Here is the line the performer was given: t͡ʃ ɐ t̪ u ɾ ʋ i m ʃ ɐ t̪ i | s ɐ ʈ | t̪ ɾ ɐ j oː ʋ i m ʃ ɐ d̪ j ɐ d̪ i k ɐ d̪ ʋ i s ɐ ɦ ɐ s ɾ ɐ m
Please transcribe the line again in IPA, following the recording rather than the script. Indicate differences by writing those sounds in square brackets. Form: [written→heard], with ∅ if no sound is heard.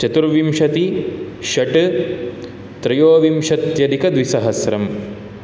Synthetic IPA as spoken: t͡ʃ ɐ t̪ u ɾ ʋ i m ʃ ɐ t̪ i | [s→ʃ] ɐ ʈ | t̪ ɾ ɐ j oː ʋ i m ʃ ɐ [d̪→t̪] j ɐ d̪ i k ɐ d̪ ʋ i s ɐ ɦ ɐ s ɾ ɐ m